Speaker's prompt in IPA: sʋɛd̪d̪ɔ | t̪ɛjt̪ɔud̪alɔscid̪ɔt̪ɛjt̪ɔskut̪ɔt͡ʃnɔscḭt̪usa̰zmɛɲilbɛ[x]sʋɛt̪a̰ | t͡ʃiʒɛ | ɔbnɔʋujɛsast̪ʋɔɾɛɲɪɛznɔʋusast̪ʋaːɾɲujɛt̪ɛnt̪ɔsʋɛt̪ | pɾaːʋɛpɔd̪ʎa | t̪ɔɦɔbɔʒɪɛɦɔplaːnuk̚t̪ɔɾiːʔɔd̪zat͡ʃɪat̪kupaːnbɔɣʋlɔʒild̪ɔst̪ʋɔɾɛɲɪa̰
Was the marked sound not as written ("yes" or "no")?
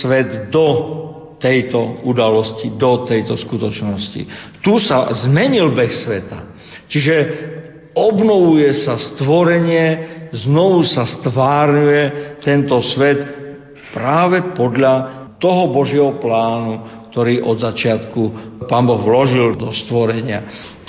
no